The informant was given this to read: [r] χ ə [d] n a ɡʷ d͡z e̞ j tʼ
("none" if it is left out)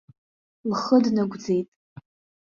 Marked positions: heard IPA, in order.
l, d

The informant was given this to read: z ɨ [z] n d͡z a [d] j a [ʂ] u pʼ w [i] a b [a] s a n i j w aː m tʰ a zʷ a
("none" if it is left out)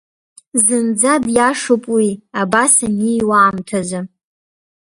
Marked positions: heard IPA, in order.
none, d, ʂ, i, a

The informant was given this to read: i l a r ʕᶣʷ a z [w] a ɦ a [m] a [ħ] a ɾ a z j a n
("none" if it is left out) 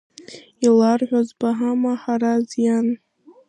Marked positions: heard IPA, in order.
b, m, ħ

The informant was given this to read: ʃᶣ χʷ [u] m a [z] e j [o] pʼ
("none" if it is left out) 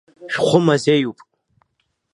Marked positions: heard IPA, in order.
ʊ, z, u

